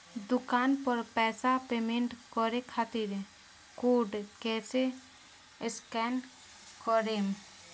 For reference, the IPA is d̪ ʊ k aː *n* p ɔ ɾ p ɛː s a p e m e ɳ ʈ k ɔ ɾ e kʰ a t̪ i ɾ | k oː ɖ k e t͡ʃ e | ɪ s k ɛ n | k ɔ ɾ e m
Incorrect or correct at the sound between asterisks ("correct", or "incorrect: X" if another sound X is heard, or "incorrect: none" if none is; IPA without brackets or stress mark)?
correct